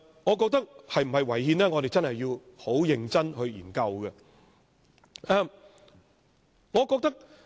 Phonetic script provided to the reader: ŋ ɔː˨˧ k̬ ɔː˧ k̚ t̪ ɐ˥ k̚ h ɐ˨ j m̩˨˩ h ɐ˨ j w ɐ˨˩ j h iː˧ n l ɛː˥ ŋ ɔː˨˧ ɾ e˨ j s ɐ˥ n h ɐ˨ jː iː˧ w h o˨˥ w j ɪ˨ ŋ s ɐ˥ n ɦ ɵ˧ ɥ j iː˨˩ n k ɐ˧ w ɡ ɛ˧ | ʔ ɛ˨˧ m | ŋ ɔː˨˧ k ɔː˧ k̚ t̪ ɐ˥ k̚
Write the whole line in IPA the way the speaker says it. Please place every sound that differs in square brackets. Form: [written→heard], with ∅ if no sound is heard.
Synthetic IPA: ŋ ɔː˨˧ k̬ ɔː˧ k̚ t̪ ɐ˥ k̚ h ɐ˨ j m̩˨˩ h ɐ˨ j w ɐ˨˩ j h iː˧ n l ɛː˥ ŋ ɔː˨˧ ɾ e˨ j [s→t͡s] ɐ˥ n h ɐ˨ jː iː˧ w h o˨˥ w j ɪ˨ ŋ [s→t͡s] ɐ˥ n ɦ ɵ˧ ɥ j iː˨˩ n k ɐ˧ w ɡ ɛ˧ | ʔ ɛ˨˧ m | ŋ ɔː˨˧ k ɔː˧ k̚ t̪ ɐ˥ k̚

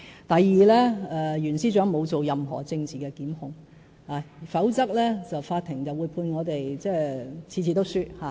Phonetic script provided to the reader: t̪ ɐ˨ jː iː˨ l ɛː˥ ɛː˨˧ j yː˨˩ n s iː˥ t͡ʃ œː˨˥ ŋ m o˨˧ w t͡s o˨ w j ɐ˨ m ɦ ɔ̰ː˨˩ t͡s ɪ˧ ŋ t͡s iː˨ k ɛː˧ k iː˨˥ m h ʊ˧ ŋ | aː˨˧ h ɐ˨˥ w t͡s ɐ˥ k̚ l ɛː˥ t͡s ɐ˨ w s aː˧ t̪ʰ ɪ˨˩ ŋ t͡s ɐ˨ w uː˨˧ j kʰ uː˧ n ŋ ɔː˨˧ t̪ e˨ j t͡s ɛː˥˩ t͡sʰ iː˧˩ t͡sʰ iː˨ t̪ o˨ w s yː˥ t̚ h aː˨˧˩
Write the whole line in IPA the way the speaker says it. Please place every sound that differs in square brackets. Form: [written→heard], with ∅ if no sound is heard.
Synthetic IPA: t̪ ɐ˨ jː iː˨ l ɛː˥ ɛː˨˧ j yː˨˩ n s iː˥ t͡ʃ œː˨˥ ŋ m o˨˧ w t͡s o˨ w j ɐ˨ m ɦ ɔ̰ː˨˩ t͡s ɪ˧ ŋ t͡s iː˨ k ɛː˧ k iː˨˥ m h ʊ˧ ŋ | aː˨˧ [h→f] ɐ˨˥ w t͡s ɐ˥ k̚ l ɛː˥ t͡s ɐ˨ w [s→f] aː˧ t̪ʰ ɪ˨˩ ŋ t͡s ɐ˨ w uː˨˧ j [kʰ→pʰ] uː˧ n ŋ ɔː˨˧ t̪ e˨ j t͡s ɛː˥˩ t͡sʰ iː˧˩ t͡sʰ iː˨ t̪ [o˨→o˥] w s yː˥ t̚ h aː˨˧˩

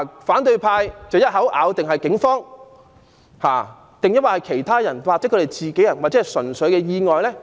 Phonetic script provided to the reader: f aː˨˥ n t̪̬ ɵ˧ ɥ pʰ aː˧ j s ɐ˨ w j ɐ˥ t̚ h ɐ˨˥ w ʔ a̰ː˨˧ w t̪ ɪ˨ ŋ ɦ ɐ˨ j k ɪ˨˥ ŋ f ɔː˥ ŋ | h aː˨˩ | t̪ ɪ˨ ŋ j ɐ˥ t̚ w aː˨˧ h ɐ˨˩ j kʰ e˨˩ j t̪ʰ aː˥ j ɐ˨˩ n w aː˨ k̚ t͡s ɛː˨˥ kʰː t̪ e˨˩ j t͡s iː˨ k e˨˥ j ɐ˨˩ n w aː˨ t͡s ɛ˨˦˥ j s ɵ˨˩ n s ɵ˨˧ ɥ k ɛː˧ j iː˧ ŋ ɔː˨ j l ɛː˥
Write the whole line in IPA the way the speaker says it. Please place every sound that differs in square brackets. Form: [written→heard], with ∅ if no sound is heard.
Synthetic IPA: f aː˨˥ n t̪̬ ɵ˧ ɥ pʰ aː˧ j [s→t͡s] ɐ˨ w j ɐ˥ t̚ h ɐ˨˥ w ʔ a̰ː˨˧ w t̪ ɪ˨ ŋ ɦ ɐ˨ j k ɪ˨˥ ŋ f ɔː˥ ŋ | h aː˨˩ | t̪ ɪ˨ ŋ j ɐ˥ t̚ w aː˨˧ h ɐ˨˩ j kʰ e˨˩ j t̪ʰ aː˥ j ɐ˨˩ n w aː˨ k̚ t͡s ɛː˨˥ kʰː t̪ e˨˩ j t͡s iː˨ k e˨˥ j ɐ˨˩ n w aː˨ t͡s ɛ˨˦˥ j s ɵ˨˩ n s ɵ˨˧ ɥ k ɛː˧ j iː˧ ŋ ɔː˨ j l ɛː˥

